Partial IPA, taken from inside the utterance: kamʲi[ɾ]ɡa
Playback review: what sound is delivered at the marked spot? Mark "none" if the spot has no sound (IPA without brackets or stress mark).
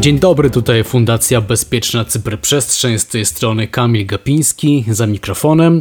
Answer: l